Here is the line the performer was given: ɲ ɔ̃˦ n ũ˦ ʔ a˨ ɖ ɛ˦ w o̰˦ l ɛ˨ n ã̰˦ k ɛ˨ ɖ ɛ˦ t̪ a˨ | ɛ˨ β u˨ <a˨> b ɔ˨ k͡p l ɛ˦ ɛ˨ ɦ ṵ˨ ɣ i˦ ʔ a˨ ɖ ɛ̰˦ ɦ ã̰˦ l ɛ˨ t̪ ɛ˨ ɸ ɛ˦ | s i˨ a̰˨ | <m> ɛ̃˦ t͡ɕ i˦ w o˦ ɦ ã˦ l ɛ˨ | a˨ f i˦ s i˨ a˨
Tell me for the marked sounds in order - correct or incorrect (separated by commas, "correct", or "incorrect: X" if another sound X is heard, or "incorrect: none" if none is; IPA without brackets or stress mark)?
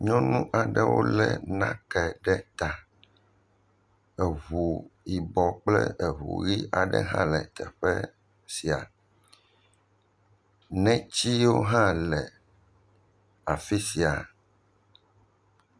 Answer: incorrect: i˨, incorrect: n